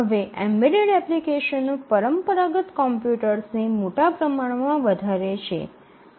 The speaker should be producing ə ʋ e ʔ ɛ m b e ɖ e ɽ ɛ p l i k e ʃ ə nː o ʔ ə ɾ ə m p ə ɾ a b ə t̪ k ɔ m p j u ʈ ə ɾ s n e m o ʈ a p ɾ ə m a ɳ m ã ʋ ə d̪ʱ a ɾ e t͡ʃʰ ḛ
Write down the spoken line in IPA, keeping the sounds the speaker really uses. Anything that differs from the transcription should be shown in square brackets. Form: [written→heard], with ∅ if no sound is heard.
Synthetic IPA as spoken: ə ʋ e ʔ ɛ m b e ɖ e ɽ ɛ p l i k e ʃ ə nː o [ʔ→p] ə ɾ ə m p ə ɾ a [b→ɡ] ə t̪ k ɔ m p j u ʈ ə ɾ s n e m o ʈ a p ɾ ə m a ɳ m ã ʋ ə d̪ʱ a ɾ e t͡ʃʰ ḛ